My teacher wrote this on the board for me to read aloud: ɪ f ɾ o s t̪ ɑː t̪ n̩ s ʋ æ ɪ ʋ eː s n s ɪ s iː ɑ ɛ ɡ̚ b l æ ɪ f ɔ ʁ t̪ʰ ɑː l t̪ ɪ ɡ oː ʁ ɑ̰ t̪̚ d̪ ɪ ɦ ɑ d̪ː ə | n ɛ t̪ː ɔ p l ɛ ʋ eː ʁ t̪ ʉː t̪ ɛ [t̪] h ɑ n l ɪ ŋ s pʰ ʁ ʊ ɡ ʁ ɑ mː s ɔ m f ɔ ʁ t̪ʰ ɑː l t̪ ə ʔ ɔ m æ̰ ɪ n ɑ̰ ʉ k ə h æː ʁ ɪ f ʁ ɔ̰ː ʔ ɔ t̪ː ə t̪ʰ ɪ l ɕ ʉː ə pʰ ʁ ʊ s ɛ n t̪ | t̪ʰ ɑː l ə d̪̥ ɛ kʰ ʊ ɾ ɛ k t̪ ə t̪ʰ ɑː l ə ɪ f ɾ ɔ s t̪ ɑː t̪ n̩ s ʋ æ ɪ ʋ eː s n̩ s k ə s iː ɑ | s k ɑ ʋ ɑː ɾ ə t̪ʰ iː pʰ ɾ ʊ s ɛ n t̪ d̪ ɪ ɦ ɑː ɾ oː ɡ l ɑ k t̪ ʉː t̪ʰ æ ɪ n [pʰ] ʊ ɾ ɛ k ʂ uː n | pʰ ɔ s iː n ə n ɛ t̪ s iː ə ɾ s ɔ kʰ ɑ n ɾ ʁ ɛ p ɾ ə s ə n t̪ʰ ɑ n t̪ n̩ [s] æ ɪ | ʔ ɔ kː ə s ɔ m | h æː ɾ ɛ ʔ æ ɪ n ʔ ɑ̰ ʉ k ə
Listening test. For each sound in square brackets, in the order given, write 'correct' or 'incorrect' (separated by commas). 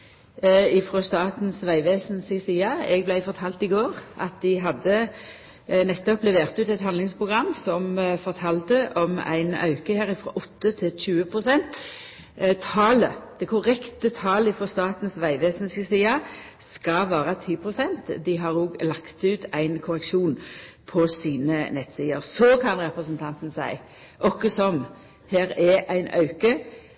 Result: correct, incorrect, correct